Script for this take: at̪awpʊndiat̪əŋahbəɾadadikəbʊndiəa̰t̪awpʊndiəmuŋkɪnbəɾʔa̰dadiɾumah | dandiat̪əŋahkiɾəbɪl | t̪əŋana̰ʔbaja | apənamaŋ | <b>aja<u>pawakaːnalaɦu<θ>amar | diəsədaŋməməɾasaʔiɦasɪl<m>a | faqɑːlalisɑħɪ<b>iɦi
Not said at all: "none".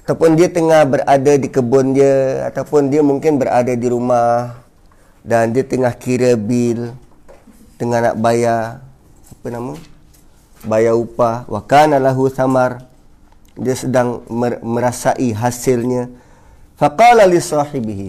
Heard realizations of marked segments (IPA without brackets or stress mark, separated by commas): b, u, θ, ɲ, b